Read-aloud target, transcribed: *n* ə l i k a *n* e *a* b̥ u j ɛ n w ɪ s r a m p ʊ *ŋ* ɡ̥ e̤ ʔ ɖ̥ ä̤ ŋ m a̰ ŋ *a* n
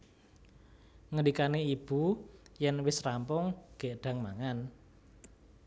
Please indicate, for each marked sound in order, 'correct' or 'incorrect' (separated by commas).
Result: incorrect, correct, incorrect, correct, correct